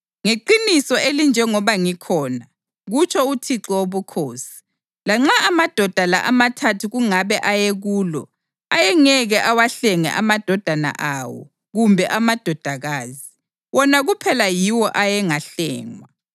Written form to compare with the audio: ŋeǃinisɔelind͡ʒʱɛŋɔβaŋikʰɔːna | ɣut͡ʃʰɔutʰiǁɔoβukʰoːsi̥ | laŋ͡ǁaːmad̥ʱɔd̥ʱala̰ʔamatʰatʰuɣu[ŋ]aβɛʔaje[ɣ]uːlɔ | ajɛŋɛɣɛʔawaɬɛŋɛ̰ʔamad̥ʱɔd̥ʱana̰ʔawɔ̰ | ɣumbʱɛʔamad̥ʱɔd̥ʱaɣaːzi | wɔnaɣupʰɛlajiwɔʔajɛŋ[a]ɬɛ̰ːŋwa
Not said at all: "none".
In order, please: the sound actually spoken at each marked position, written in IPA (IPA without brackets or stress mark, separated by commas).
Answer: ŋ, ɣ, a